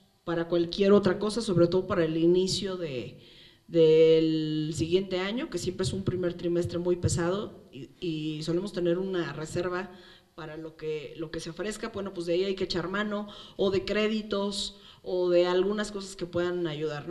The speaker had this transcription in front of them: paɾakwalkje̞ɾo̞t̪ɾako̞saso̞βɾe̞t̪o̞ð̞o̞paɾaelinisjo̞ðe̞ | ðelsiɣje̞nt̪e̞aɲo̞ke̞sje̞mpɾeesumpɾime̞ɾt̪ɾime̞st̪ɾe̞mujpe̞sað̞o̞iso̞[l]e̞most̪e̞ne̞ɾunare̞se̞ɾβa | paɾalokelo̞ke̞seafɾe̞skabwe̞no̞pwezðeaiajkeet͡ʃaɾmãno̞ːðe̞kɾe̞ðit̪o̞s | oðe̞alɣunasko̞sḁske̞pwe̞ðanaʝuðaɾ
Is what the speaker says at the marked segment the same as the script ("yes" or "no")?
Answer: yes